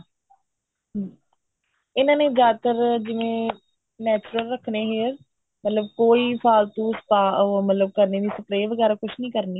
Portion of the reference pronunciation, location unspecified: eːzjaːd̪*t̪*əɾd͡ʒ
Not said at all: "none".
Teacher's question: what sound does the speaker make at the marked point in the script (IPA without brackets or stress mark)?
t̪